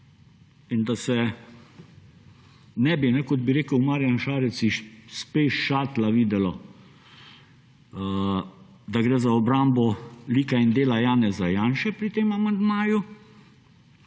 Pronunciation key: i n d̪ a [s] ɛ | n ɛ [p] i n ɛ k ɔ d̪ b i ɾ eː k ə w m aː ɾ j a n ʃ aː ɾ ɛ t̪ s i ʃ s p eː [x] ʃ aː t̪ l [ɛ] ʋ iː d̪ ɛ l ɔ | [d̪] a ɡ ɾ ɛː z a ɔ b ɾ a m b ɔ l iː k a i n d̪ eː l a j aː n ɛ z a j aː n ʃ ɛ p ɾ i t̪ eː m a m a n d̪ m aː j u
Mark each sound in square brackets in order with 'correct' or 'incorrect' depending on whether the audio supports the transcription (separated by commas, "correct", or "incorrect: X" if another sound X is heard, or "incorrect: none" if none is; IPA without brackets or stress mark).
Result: correct, incorrect: b, incorrect: ʃ, incorrect: a, correct